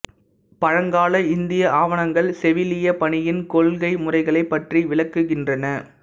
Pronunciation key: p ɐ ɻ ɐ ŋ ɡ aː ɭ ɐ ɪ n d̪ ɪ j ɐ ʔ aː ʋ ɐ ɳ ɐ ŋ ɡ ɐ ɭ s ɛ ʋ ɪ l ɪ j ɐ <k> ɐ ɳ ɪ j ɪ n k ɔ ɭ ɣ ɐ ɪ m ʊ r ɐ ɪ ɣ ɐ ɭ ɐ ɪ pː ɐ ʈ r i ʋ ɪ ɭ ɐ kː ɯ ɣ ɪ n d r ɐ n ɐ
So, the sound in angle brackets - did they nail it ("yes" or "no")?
no